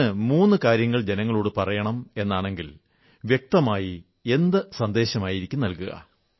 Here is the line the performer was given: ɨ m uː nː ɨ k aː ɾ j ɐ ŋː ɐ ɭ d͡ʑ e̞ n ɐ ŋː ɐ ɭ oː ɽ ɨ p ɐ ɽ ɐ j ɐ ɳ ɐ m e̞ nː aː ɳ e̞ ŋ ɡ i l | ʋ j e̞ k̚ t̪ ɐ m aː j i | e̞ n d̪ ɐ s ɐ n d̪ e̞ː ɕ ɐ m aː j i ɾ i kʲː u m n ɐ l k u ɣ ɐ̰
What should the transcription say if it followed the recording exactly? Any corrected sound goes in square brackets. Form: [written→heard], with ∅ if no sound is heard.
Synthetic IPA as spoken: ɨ m uː nː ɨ k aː ɾ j ɐ ŋː ɐ ɭ d͡ʑ e̞ n ɐ ŋː ɐ ɭ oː ɽ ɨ p ɐ [ɽ→r] ɐ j ɐ ɳ ɐ m e̞ nː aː ɳ e̞ ŋ ɡ i l | ʋ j e̞ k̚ t̪ ɐ m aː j i | e̞ n d̪ ɐ s ɐ n d̪ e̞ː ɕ ɐ m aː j i ɾ i kʲː u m n ɐ l k u ɣ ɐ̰